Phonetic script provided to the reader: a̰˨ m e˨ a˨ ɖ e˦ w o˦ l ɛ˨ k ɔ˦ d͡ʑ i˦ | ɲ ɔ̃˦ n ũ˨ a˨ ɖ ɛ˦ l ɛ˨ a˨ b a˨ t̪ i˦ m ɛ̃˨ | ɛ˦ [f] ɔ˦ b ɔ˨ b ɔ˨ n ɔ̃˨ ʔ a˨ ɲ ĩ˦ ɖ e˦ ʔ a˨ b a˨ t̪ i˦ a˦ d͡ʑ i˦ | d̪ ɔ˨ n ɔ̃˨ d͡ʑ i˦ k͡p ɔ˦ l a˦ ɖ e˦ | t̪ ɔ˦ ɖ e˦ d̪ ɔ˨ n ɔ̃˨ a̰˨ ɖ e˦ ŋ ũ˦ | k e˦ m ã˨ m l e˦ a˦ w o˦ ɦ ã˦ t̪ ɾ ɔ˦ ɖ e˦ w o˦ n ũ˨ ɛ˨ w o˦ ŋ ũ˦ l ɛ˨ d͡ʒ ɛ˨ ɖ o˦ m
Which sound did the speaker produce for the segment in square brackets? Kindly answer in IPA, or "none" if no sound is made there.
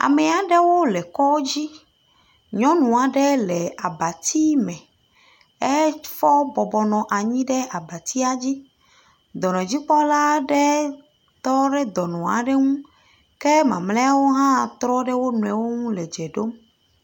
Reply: f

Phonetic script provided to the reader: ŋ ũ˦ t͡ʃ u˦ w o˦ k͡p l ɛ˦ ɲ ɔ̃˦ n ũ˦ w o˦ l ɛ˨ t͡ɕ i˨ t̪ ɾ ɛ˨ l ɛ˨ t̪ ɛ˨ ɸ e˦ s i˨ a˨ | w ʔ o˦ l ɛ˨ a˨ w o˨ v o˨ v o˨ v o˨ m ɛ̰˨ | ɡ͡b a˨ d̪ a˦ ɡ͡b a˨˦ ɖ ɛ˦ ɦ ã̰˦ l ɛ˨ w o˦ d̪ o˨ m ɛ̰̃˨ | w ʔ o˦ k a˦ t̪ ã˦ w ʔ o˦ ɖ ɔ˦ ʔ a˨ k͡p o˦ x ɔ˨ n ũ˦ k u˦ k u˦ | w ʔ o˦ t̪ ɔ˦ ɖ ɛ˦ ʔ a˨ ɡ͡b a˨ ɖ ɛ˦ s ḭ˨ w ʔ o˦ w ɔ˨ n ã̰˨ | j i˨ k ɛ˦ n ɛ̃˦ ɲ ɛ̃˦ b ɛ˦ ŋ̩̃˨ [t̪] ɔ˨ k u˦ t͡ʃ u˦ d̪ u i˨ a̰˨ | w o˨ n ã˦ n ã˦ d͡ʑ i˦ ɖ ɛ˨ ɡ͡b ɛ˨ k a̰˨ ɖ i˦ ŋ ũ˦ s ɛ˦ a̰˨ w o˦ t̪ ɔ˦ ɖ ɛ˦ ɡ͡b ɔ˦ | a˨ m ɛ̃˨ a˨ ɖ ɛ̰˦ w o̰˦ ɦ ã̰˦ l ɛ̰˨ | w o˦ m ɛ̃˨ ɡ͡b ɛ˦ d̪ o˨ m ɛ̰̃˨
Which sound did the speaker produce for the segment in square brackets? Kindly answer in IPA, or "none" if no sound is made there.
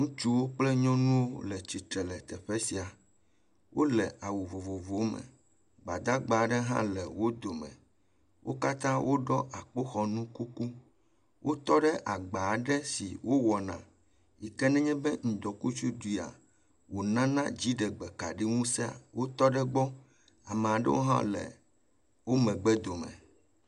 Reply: d̪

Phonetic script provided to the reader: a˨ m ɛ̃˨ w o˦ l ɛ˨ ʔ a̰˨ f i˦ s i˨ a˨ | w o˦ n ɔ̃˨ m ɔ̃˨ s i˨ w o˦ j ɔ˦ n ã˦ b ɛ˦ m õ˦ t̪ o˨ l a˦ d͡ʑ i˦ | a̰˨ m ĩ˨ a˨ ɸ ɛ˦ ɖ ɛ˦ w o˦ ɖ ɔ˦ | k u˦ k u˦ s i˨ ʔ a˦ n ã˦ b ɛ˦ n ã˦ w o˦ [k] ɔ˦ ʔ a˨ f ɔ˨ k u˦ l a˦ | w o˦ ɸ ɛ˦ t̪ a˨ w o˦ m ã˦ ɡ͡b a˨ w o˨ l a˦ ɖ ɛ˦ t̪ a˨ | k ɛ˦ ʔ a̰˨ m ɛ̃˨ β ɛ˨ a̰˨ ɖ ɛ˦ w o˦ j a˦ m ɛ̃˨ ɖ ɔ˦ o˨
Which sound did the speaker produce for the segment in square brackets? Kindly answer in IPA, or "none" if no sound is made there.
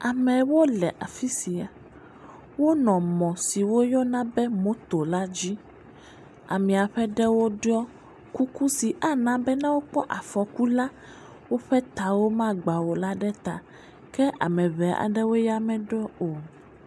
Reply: k͡p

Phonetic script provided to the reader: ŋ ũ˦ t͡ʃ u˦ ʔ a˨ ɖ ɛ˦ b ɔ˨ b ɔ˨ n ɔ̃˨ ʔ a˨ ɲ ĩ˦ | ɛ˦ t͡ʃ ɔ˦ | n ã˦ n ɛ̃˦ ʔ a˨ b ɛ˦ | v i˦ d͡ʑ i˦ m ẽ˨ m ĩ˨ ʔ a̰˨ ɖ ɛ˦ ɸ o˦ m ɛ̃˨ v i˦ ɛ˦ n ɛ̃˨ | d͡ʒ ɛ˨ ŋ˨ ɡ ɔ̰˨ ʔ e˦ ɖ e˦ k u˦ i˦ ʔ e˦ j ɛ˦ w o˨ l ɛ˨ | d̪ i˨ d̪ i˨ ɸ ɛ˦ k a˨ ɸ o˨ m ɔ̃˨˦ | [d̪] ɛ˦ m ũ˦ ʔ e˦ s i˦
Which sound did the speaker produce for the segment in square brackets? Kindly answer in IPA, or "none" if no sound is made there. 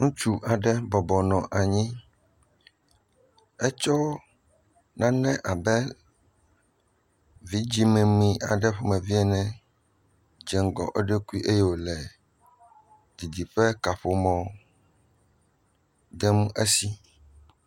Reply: d̪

